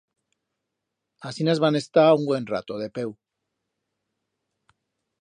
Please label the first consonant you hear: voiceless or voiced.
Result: voiceless